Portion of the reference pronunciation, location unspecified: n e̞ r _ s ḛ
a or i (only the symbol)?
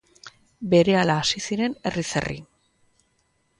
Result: i